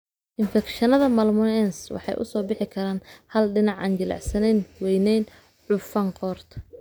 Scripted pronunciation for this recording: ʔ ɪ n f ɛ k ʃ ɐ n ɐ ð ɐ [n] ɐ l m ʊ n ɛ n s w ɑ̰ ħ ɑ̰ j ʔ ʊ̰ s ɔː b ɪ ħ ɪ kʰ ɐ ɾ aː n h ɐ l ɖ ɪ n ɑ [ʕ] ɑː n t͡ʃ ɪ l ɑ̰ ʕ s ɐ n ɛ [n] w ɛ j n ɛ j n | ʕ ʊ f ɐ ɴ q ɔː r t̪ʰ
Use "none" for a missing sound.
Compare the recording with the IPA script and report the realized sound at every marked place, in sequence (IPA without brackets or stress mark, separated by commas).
m, ʕ, n